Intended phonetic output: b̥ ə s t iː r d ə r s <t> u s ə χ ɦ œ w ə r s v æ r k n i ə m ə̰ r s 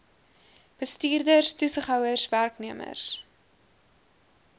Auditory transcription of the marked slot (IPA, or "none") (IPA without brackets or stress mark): t